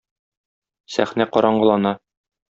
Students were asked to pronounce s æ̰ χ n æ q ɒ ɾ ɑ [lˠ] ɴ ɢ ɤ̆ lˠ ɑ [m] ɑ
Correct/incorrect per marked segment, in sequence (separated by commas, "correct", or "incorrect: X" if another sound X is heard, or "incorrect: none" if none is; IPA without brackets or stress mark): incorrect: none, incorrect: n